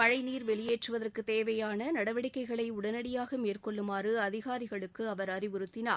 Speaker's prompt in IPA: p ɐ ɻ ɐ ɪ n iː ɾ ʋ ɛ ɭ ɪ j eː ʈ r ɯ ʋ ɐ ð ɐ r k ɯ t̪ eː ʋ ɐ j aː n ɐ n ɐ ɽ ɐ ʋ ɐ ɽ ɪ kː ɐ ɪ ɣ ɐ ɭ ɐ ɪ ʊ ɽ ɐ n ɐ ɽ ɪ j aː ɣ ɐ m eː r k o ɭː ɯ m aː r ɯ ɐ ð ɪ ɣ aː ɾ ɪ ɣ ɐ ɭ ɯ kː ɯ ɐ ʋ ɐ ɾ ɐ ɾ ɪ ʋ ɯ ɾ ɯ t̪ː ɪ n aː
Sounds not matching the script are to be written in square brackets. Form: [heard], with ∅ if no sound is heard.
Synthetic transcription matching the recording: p ɐ ɻ ɐ ɪ n iː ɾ ʋ ɛ ɭ ɪ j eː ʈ r ɯ ʋ ɐ ð ɐ r k ɯ t̪ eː ʋ ɐ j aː n ɐ n ɐ ɽ ɐ ʋ ɐ ɽ ɪ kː ɐ ɪ ɣ ɐ ɭ ɐ ɪ ʊ ɽ ɐ n ɐ ɽ ɪ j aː ɣ ɐ m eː r k [ɔ] ɭː ɯ m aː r ɯ ɐ ð ɪ ɣ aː ɾ ɪ ɣ ɐ ɭ ɯ kː ɯ ɐ ʋ ɐ ɾ ɐ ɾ ɪ ʋ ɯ ɾ ɯ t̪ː ɪ n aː